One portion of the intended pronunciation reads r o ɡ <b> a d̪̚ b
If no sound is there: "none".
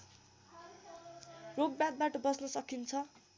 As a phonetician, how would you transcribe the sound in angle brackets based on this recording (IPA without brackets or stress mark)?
b